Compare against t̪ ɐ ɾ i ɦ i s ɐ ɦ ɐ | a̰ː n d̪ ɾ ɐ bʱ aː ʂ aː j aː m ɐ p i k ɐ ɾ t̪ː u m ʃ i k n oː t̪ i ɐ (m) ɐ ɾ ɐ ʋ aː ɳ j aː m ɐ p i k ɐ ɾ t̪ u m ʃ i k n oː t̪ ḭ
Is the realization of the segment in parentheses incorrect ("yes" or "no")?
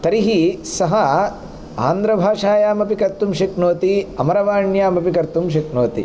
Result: no